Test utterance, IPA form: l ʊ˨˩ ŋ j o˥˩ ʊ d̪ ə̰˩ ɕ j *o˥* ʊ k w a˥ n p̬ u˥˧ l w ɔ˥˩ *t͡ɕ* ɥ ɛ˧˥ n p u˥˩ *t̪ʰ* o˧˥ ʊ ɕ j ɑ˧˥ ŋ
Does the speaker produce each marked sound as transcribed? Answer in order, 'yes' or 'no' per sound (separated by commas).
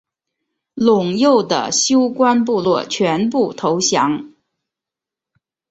yes, no, yes